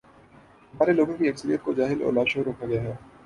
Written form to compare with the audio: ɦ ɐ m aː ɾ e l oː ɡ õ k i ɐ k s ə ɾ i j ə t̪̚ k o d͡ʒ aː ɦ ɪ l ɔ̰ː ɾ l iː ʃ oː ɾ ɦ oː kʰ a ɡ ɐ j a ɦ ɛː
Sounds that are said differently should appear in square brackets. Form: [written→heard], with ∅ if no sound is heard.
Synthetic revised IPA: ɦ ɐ m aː ɾ e l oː ɡ õ k i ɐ k s ə ɾ i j ə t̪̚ k o d͡ʒ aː ɦ ɪ l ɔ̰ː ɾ l [iː→aː] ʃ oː ɾ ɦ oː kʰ a ɡ ɐ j a ɦ ɛː